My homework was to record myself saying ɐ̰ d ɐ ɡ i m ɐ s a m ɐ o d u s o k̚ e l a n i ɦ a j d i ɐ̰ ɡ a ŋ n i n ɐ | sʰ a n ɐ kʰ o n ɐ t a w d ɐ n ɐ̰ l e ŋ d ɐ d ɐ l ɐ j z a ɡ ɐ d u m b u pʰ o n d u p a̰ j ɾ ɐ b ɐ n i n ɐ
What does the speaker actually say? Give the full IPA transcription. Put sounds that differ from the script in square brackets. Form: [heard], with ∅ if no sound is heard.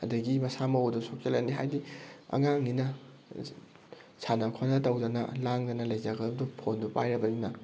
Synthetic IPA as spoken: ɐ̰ d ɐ ɡ i m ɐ s a m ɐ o d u s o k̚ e l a n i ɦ a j d i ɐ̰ [ŋ] a ŋ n i n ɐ | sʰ a n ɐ kʰ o n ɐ t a w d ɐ n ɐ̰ l [a] ŋ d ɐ [n] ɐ l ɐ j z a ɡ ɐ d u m [d] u pʰ o n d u p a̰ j ɾ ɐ b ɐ n i n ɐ

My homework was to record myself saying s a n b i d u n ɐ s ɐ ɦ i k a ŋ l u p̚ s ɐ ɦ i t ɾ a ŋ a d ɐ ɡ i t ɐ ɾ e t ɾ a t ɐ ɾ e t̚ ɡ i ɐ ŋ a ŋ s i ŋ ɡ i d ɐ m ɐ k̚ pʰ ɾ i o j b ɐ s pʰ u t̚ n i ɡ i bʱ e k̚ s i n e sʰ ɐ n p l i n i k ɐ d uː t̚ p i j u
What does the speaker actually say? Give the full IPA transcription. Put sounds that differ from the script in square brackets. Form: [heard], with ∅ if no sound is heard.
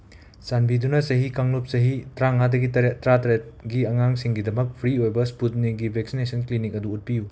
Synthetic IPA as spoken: s a n b i d u n ɐ s ɐ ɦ i k a ŋ l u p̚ s ɐ ɦ i t ɾ a ŋ a d ɐ ɡ i t ɐ ɾ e t ɾ a t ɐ ɾ e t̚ ɡ i ɐ ŋ a ŋ s i ŋ ɡ i d ɐ m ɐ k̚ pʰ ɾ i o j b ɐ s [p] u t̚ n i ɡ i bʱ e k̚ s i n e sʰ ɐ n [k] l i n i k ɐ d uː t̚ p i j u

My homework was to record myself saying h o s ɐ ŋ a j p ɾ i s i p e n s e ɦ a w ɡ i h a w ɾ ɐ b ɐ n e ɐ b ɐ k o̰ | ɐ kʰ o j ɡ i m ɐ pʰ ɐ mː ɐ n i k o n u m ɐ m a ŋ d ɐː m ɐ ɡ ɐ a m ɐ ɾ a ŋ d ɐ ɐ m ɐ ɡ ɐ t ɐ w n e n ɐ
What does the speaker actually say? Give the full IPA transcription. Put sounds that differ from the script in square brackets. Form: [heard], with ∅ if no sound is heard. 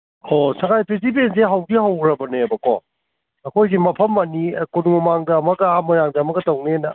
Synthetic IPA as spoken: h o s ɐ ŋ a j p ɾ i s i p e n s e ɦ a w ɡ i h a w ɾ ɐ b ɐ n e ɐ b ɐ k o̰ | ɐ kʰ o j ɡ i m ɐ pʰ ɐ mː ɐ n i k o n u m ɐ m a ŋ d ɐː m ɐ ɡ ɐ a m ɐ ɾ a ŋ d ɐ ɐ m ɐ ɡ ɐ t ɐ w n e n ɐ

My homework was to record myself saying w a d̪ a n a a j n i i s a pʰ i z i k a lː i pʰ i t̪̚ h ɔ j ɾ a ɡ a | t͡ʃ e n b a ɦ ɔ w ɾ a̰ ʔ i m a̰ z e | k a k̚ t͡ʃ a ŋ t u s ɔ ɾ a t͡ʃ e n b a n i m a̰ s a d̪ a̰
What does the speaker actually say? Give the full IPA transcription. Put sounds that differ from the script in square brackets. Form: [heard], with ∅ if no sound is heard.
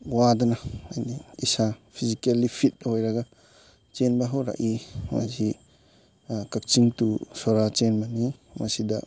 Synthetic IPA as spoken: w a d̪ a n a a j n i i s a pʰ i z i k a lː i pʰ i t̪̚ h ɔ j ɾ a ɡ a | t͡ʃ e n b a ɦ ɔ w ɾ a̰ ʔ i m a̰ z [i] | k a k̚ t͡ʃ [i] ŋ t u s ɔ ɾ a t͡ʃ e n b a n i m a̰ s [i] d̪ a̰

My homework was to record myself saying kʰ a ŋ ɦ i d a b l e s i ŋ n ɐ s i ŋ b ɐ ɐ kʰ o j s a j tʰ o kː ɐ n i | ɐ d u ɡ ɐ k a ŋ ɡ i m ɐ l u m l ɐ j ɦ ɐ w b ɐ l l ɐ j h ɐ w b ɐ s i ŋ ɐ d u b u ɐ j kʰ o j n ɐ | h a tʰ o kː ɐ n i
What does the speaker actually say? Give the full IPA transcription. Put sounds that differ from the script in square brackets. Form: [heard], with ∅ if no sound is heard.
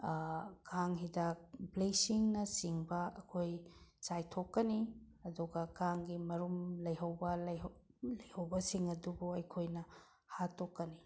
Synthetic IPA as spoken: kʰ a ŋ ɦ i d a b l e s i ŋ n ɐ s i ŋ b ɐ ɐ kʰ o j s a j tʰ o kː ɐ n i | ɐ d u ɡ ɐ k a ŋ ɡ i m ɐ [ɾ] u m l ɐ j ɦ ɐ w b ɐ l l ɐ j h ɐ w b ɐ s i ŋ ɐ d u b u ɐ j kʰ o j n ɐ | h a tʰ o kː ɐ n i

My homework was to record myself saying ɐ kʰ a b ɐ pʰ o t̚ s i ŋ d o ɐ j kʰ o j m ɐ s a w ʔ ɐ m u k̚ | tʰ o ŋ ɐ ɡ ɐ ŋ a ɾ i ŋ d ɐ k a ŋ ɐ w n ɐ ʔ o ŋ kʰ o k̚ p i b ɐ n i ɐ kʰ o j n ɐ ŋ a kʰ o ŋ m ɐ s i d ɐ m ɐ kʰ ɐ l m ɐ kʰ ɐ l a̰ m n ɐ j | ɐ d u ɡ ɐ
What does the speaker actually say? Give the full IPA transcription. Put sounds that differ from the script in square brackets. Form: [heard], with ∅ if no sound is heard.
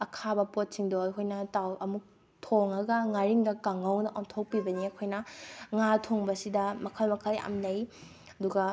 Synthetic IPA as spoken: ɐ kʰ a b ɐ [p] o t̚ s i ŋ d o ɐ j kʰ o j [n] ɐ [t] a w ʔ ɐ m u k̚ | tʰ o ŋ ɐ ɡ ɐ ŋ a ɾ i ŋ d ɐ k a ŋ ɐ w n ɐ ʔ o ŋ [tʰ] o k̚ p i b ɐ n i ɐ kʰ o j n ɐ ŋ a [tʰ] o ŋ [b] ɐ s i d ɐ m ɐ kʰ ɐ l m ɐ kʰ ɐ l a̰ m n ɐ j | ɐ d u ɡ ɐ

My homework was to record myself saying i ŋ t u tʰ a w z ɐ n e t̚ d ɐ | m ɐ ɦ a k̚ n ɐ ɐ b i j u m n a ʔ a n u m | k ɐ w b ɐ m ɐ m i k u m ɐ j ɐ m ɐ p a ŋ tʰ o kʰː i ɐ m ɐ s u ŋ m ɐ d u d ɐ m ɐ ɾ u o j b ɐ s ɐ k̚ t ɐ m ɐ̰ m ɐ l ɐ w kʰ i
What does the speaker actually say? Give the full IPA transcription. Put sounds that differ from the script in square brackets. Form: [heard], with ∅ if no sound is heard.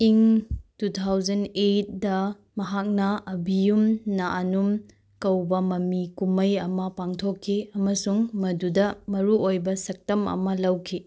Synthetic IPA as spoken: i ŋ t u tʰ a w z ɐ n e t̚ d ɐ | m ɐ ɦ a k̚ n ɐ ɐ b i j u m n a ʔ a n u m | k ɐ w b ɐ m ɐ m i k u m ɐ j ɐ m ɐ p a ŋ tʰ o kʰː i ɐ m ɐ s u ŋ m ɐ d u d ɐ m ɐ ɾ u o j b ɐ s ɐ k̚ t ɐ m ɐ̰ m ɐ l ɐ w kʰ i

